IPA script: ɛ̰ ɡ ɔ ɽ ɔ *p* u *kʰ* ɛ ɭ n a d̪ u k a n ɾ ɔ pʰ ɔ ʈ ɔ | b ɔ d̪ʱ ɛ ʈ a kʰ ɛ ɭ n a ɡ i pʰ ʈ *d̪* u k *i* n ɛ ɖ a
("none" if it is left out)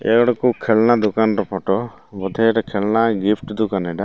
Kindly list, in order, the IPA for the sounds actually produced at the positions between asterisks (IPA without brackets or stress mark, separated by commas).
k, kʰ, d̪, a